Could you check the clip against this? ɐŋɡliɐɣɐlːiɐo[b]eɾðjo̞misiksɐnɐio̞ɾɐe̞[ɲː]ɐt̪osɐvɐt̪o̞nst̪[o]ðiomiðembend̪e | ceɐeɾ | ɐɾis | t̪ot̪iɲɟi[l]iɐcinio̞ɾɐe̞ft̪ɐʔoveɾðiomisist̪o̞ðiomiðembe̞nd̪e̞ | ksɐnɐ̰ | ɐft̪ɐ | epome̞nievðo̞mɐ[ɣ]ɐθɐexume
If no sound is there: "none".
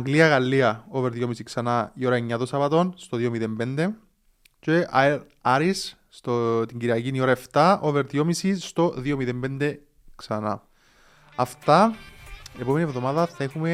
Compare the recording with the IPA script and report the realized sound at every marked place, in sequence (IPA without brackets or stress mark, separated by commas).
v, ɲː, o, ɾ, ð